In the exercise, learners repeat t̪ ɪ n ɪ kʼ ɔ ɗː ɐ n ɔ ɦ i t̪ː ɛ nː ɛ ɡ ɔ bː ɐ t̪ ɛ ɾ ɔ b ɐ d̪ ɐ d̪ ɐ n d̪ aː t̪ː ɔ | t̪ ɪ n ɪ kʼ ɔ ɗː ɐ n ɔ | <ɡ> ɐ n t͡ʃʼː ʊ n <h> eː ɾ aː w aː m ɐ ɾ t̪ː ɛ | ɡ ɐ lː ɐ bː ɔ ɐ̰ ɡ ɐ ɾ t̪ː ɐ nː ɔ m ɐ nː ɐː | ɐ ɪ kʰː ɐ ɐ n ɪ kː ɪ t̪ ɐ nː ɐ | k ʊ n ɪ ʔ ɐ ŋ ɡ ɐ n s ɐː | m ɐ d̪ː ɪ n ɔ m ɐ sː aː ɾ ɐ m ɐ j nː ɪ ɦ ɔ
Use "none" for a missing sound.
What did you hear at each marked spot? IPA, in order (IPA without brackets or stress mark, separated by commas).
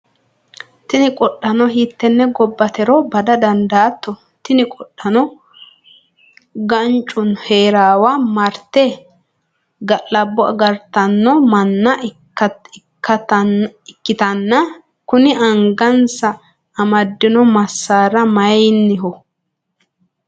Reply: ɡ, h